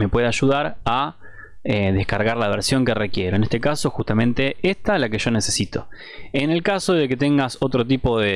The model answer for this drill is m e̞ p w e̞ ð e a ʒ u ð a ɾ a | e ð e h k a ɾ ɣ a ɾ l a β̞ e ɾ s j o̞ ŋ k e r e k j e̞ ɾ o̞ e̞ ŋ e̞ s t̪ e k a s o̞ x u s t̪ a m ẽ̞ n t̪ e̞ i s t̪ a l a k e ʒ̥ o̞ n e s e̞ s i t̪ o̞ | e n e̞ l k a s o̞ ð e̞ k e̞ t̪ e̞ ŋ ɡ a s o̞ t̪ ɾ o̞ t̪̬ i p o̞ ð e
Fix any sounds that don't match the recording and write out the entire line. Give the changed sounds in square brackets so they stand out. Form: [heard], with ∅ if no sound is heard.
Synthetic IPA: m e̞ p w e̞ ð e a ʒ u ð a ɾ a | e ð e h k a ɾ ɣ a ɾ l a β̞ e ɾ s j o̞ ŋ k e r e k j e̞ ɾ o̞ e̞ [n] e̞ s t̪ e k a s o̞ x u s t̪ a m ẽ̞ n t̪ e̞ [e] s t̪ a l a k e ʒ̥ o̞ n e s e̞ s i t̪ o̞ | e n e̞ l k a s o̞ ð e̞ k e̞ t̪ e̞ ŋ ɡ a s o̞ t̪ ɾ o̞ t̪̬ i p o̞ ð e